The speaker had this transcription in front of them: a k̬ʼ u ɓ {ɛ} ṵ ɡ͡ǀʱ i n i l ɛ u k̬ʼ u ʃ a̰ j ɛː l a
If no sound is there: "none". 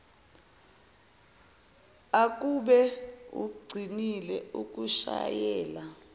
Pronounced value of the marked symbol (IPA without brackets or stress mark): ɛ